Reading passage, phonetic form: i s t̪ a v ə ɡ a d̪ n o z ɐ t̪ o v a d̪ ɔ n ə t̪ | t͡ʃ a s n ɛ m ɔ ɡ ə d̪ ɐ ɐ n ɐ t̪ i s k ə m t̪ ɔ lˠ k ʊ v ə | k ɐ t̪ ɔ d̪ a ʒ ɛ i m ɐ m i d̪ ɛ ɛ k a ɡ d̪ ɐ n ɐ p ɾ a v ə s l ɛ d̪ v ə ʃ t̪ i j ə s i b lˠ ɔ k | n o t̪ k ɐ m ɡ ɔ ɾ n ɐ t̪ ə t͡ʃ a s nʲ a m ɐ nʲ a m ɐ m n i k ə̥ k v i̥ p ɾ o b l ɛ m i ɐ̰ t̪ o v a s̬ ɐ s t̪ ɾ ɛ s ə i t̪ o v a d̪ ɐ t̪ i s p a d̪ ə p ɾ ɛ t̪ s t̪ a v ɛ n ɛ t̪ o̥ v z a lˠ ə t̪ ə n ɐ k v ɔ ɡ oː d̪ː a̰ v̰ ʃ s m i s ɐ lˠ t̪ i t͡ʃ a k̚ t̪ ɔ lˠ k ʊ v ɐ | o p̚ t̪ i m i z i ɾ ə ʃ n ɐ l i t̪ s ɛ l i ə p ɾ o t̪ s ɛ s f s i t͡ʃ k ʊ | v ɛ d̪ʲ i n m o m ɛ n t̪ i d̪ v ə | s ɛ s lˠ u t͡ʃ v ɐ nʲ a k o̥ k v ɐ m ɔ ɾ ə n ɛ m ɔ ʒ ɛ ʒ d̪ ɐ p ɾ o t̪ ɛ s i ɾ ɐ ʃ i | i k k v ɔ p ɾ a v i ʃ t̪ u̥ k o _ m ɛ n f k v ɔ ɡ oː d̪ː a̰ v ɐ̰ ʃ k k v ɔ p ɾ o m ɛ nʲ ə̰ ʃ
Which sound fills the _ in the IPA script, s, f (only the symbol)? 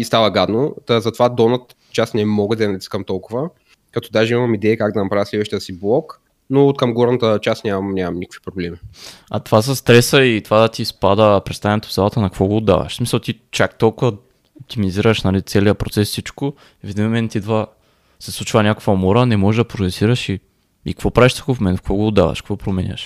f